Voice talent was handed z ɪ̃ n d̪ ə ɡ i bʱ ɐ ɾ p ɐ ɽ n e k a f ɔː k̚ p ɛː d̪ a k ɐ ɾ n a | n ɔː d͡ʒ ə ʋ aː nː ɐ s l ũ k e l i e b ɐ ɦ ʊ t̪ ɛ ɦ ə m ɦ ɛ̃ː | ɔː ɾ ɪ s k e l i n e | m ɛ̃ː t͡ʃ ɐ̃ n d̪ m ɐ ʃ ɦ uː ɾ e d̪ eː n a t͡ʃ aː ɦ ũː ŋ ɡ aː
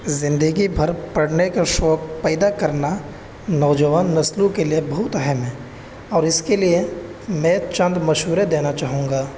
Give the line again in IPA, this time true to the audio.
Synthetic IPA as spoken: z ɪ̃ n d̪ ə ɡ i bʱ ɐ ɾ p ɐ ɽ n e k a ʃ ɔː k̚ p ɛː d̪ a k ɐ ɾ n a | n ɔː d͡ʒ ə ʋ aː nː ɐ s l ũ k e l i e b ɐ ɦ ʊ t̪ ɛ ɦ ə m ɦ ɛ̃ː | ɔː ɾ ɪ s k e l i e | m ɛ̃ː t͡ʃ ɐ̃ n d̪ m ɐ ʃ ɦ uː ɾ e d̪ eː n a t͡ʃ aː ɦ ũː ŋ ɡ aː